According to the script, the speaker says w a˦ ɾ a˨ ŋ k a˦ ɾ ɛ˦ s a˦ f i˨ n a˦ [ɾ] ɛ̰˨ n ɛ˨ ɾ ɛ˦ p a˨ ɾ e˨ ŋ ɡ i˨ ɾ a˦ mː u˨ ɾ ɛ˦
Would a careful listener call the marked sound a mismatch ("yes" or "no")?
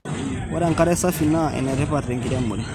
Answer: yes